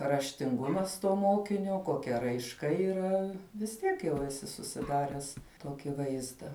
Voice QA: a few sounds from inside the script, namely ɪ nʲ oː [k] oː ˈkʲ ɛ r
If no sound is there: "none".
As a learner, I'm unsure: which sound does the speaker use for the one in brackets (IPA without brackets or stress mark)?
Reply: k